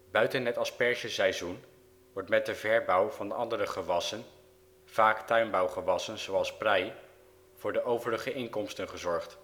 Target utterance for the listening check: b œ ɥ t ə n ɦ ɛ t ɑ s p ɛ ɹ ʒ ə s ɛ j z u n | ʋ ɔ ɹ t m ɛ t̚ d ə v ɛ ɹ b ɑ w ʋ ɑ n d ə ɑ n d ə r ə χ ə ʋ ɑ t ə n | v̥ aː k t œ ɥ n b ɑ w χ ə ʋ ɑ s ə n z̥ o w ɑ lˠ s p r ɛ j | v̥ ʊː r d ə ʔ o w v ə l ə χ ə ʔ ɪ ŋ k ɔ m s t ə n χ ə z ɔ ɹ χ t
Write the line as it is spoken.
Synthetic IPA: b œ ɥ t ə n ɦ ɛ t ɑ s p ɛ ɹ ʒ ə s ɛ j z u n | ʋ ɔ ɹ t m ɛ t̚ d ə v ɛ ɹ b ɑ w v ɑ n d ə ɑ n d ə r ə χ ə ʋ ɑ s ə n | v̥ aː k t œ ɥ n b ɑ w χ ə ʋ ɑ s ə n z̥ o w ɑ lˠ s p r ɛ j | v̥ ʊː ɹ d ə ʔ o w v ə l ə χ ə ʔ ɪ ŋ k ɔ m s t ə n χ ə z ɔ ɹ χ t